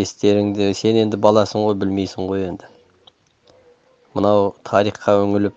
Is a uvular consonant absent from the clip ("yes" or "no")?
no